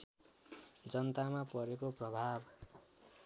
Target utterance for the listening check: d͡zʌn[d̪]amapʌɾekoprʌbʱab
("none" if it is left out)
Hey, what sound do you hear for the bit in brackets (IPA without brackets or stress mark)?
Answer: t̪